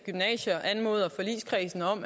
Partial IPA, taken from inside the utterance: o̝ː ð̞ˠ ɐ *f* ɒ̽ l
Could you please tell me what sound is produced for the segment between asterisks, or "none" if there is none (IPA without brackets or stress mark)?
f